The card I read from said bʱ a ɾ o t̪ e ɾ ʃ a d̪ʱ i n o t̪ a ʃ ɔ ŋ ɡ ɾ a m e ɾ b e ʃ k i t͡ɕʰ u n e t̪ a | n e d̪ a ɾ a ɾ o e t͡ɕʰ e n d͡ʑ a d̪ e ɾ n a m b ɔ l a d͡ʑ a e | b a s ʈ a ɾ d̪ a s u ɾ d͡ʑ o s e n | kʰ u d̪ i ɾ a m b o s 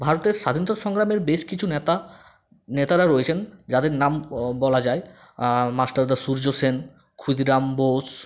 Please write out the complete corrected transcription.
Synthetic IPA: bʱ a ɾ o t̪ e ɾ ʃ a d̪ʱ i n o t̪ a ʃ ɔ ŋ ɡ ɾ a m e ɾ b e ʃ k i t͡ɕʰ u n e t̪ a | n e t̪ a ɾ a ɾ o e t͡ɕʰ e n d͡ʑ a d̪ e ɾ n a m b ɔ l a d͡ʑ a e | m a s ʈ a ɾ d̪ a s u ɾ d͡ʑ o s e n | kʰ u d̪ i ɾ a m b o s